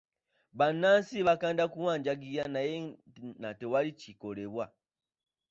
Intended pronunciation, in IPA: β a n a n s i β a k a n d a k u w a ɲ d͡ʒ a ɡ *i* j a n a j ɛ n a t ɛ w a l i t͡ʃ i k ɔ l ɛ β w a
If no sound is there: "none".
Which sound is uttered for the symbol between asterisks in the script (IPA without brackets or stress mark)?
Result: i